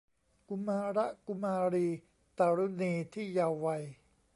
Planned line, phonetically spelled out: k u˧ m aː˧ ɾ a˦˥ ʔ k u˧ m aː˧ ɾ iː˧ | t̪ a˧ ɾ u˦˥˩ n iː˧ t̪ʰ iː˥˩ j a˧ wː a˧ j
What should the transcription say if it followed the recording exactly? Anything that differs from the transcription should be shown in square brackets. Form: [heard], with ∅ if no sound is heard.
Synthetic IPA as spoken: k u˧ m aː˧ ɾ a˦˥ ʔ k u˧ m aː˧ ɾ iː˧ | t̪ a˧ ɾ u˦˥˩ n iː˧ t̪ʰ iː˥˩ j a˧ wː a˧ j